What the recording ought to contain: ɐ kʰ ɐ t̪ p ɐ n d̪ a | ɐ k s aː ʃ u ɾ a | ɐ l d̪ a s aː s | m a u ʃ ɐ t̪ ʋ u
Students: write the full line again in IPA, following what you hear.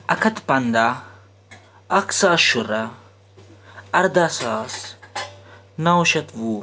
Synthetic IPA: ɐ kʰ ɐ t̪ p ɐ n d̪ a | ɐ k s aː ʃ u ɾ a | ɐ ɾ d̪ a s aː s | n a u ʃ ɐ t̪ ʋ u